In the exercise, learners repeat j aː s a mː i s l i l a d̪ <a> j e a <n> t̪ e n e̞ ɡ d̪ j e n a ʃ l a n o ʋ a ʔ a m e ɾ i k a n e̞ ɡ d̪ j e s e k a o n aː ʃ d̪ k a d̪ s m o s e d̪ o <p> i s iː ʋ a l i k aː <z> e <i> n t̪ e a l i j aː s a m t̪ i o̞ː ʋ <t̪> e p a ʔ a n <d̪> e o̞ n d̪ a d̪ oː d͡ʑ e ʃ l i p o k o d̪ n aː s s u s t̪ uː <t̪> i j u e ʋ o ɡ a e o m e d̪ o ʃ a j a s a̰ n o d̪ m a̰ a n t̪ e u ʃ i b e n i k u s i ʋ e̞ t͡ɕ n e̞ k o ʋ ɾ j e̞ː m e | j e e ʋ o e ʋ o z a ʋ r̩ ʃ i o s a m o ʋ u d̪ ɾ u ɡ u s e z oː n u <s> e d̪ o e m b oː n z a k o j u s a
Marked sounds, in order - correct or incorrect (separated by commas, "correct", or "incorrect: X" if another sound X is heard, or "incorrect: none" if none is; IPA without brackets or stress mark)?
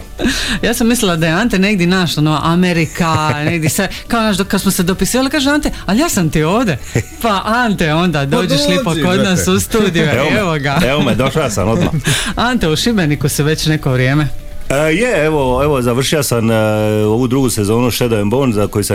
correct, correct, correct, incorrect: ʒ, incorrect: a, incorrect: d̪, incorrect: t̪, incorrect: d̪, incorrect: ʃ